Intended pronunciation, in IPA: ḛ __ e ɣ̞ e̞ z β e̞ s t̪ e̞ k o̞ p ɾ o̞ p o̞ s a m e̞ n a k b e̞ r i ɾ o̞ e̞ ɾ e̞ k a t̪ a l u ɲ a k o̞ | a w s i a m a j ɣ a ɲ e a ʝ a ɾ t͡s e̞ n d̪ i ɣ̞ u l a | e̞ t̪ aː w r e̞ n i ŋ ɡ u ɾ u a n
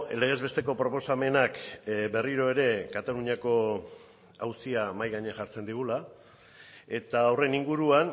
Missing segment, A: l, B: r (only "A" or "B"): A